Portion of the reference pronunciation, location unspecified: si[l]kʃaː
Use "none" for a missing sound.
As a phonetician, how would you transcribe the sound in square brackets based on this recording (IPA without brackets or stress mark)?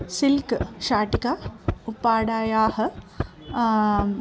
l